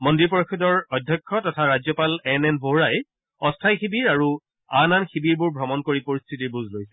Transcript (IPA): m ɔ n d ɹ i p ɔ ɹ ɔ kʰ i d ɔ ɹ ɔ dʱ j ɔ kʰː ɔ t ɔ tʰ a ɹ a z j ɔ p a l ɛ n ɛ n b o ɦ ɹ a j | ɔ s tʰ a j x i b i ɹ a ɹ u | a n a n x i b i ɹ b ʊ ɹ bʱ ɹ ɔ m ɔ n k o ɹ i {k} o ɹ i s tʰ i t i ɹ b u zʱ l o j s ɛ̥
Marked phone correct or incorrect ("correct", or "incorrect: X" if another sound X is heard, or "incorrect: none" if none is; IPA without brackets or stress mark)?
incorrect: p